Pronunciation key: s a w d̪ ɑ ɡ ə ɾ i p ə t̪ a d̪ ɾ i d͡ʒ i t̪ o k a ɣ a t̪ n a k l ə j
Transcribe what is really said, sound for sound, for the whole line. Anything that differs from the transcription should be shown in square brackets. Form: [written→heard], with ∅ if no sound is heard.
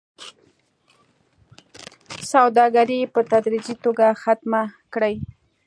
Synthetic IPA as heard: s a w d̪ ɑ ɡ [ə→a] ɾ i p ə t̪ a d̪ ɾ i d͡ʒ i t̪ o [k→ɡ] a [ɣ→x] a t̪ [n→m] a k [l→ɽ] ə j